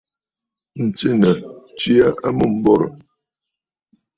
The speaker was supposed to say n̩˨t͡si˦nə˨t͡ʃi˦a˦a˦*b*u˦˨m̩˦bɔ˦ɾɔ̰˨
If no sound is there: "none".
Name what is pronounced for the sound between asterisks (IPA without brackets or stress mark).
m